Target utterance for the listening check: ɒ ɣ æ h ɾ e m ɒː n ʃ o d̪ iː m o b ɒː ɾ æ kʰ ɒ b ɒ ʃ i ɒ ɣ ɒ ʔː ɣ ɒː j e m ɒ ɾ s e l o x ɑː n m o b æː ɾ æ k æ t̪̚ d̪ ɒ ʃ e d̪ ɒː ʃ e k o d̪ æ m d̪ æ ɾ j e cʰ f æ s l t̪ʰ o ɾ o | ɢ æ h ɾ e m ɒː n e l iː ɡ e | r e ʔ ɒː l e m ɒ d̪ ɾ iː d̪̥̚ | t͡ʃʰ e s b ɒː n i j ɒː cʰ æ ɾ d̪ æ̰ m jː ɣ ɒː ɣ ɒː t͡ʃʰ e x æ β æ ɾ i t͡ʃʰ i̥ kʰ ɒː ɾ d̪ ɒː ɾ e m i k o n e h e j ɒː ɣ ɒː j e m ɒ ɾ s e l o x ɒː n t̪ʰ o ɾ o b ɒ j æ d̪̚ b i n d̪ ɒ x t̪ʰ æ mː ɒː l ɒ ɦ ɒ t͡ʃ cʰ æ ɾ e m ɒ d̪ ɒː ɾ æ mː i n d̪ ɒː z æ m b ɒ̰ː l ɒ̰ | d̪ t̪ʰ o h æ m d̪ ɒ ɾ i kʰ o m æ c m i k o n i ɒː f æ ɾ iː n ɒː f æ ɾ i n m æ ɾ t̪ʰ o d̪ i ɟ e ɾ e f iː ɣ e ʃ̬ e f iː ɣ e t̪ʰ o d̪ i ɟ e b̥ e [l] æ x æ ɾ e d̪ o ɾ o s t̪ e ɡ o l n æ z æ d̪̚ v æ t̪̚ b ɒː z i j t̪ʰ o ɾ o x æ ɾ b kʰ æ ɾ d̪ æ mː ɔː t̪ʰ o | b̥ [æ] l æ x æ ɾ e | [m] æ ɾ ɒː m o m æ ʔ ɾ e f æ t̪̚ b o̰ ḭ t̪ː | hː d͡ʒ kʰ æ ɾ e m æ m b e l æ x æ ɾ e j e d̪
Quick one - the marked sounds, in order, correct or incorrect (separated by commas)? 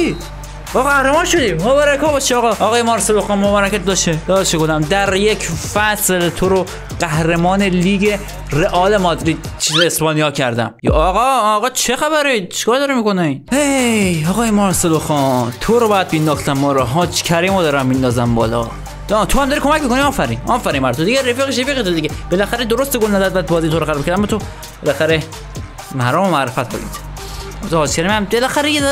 correct, incorrect, correct